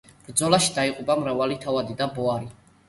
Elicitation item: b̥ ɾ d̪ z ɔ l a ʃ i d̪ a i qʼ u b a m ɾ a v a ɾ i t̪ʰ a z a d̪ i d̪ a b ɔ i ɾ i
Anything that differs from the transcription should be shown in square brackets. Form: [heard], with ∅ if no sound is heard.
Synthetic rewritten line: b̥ ɾ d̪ z ɔ l a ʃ i d̪ a i qʼ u b a m ɾ a v a [l] i t̪ʰ a [v] a d̪ i d̪ a b ɔ [a] ɾ i